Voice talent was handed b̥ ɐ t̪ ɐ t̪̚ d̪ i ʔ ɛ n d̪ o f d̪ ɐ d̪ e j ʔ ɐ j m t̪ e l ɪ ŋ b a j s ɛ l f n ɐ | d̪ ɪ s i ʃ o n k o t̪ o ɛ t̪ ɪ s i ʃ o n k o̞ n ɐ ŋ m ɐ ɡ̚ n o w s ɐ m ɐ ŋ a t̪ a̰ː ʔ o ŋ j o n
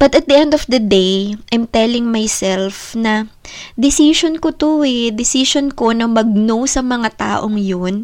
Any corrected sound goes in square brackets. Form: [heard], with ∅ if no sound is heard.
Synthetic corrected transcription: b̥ ɐ t̪ ɐ t̪̚ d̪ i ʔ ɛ n d̪ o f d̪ ɐ d̪ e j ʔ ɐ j m t̪ [ɛ] l ɪ ŋ [m] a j s ɛ l f n ɐ | d̪ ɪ s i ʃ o n k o t̪ o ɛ [d̪] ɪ s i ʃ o n k o̞ n ɐ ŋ m ɐ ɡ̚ n o w s ɐ m ɐ ŋ a t̪ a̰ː ʔ o ŋ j o n